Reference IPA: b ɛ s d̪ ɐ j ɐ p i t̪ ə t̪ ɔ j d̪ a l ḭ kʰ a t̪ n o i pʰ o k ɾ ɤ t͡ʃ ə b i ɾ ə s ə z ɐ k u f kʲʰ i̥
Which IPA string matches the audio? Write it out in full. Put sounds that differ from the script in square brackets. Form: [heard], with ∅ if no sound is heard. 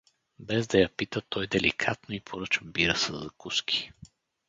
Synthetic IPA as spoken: b ɛ [z] d̪ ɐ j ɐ p i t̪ ə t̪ ɔ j d̪ [ɛ] l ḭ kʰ a t̪ n o i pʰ o [∅] ɾ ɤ t͡ʃ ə b i ɾ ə s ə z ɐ k u [s] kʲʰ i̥

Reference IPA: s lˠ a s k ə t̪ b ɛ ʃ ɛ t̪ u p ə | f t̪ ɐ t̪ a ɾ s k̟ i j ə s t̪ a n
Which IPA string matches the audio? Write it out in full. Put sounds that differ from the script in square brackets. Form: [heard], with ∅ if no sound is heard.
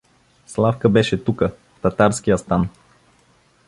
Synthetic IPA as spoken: s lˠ a [f] k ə [∅] b ɛ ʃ ɛ t̪ u [k] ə | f t̪ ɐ t̪ a ɾ s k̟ i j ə s t̪ a n

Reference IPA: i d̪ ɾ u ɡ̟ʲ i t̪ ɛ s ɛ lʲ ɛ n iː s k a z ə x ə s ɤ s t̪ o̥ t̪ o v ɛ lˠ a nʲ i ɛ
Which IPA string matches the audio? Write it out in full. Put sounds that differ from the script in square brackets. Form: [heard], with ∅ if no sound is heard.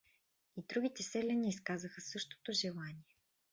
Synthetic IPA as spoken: i d̪ ɾ u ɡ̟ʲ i t̪ ɛ s ɛ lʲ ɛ n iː s k a z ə x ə s ɤ [ʃ] t̪ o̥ t̪ o [ʒ] ɛ lˠ a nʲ i ɛ

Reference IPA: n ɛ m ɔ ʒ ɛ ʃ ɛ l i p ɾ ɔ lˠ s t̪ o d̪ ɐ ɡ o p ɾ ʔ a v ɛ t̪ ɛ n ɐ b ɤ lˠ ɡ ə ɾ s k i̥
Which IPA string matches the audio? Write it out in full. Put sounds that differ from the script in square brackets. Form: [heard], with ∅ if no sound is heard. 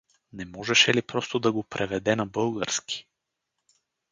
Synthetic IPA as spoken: n ɛ m ɔ ʒ ɛ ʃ ɛ l i p ɾ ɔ [∅] s t̪ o d̪ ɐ ɡ o p ɾ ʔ [ɛ] v ɛ [d̪] ɛ n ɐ b ɤ lˠ ɡ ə ɾ s k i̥

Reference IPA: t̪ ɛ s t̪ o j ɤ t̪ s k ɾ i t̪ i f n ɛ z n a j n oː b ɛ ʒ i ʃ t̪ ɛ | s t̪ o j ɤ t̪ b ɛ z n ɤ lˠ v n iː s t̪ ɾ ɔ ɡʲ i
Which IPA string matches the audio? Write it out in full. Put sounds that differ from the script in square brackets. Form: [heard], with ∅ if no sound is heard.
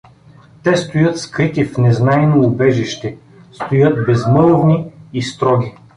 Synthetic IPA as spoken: t̪ ɛ s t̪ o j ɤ t̪ s k ɾ i t̪ i f n ɛ z n a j n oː b ɛ ʒ i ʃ t̪ ɛ | s t̪ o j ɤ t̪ b ɛ z [m] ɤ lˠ v n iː s t̪ ɾ ɔ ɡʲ i

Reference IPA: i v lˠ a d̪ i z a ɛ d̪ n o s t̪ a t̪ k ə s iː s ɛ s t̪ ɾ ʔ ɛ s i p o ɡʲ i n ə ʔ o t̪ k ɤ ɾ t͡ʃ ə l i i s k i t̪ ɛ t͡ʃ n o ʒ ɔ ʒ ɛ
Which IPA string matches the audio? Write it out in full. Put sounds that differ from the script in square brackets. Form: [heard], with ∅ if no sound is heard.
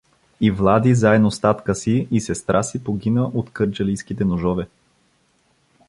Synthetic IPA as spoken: i v lˠ a d̪ i z a ɛ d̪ n o s t̪ a t̪ k ə s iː s ɛ s t̪ ɾ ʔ [a] s i p o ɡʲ i n ə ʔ o t̪ k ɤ ɾ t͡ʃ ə l i [j] s k i t̪ ɛ [∅] n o ʒ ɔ [v] ɛ

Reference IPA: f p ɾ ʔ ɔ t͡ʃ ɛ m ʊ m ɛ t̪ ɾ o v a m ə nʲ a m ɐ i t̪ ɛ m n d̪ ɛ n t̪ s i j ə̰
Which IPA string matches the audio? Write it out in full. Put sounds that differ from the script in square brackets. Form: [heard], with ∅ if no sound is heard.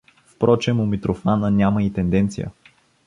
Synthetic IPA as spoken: f p ɾ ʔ ɔ t͡ʃ ɛ m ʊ m [i] t̪ ɾ o [f] a [n] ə nʲ a m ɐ i t̪ ɛ [∅] n d̪ ɛ n t̪ s i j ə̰

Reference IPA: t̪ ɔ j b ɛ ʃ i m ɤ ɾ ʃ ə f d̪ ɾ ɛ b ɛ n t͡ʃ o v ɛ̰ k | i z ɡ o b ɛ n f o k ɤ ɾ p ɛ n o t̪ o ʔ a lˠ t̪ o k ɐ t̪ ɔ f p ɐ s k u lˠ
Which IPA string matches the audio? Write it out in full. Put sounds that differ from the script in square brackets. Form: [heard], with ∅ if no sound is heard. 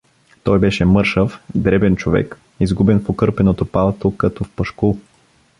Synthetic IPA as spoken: t̪ ɔ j b ɛ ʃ [ɛ] m ɤ ɾ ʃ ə f d̪ ɾ ɛ b ɛ n t͡ʃ o v ɛ̰ k | i z ɡ [u] b ɛ n f o k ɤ ɾ p ɛ n o t̪ o [p] a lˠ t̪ o k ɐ t̪ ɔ f p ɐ [ʃ] k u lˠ

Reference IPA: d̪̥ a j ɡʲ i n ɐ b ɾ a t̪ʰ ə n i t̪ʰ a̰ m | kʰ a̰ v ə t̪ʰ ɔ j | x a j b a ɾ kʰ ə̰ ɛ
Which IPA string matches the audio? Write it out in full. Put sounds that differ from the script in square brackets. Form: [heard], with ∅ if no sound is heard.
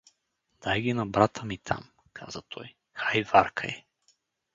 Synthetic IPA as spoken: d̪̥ a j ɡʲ i n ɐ b ɾ a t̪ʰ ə [m] i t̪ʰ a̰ m | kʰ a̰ [z] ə t̪ʰ ɔ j | x a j [v] a ɾ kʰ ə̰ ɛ

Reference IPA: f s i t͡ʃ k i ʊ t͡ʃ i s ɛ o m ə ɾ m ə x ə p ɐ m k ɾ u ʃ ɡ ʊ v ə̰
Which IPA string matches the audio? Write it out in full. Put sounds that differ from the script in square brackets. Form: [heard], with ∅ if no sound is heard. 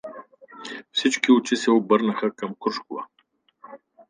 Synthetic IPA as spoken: f s i t͡ʃ k i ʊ t͡ʃ i s ɛ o [b] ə ɾ [n] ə x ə [k] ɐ m k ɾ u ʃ [k] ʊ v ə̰

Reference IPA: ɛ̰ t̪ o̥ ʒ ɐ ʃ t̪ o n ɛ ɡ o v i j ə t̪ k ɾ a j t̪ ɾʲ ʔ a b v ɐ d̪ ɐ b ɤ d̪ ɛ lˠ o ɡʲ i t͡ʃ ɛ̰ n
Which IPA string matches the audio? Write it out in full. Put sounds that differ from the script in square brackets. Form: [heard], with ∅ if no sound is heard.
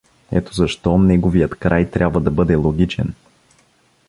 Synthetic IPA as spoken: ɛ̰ t̪ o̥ [z] ɐ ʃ t̪ [ɔ] n ɛ ɡ o v i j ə t̪ k ɾ a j t̪ ɾʲ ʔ a b v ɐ d̪ ɐ b ɤ d̪ ɛ lˠ o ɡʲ i t͡ʃ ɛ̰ n

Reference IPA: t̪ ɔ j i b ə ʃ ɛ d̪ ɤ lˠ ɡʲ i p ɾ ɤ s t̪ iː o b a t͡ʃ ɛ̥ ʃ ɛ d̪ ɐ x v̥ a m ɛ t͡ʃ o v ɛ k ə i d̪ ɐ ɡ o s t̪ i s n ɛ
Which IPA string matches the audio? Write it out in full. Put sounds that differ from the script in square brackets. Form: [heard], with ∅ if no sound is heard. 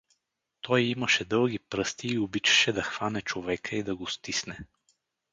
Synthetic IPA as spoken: t̪ ɔ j i [m] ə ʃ ɛ d̪ ɤ lˠ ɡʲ i p ɾ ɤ s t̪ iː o b [i] t͡ʃ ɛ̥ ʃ ɛ d̪ ɐ x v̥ a [n] ɛ t͡ʃ o v ɛ k ə i d̪ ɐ ɡ o s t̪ i s n ɛ

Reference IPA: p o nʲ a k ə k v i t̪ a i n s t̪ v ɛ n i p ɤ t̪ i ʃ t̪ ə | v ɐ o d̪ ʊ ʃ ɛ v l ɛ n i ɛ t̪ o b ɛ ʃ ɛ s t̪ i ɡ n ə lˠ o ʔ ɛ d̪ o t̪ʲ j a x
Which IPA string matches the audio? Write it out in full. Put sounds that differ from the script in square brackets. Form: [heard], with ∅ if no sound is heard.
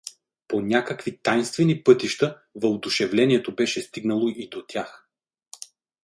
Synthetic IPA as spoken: p o nʲ a k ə k v i t̪ a [j] n s t̪ v ɛ n i p ɤ t̪ i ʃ t̪ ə | v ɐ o d̪ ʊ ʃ ɛ v l ɛ n i ɛ t̪ o b ɛ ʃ ɛ s t̪ i ɡ n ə lˠ o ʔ [i] d̪ o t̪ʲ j a x

